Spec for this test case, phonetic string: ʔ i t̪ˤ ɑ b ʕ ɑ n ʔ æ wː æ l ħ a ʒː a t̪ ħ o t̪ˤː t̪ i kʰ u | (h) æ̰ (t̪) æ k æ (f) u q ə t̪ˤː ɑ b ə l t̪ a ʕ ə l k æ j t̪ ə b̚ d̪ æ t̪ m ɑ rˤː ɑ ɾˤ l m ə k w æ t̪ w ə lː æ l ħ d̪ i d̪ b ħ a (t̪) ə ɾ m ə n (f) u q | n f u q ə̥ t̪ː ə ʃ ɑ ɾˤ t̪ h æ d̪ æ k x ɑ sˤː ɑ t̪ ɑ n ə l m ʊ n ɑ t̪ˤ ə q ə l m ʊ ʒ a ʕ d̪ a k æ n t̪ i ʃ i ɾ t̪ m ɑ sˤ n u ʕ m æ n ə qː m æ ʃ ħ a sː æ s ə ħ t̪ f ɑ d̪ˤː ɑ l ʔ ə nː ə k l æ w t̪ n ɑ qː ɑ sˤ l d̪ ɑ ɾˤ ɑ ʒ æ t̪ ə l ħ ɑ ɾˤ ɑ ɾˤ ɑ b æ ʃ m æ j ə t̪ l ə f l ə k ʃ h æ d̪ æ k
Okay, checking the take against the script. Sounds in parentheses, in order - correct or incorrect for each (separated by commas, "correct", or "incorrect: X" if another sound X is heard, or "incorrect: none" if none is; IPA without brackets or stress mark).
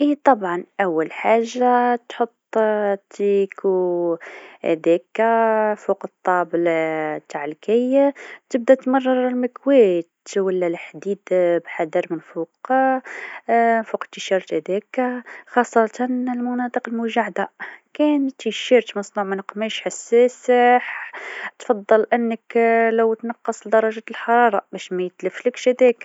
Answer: correct, incorrect: d̪, correct, incorrect: d̪, correct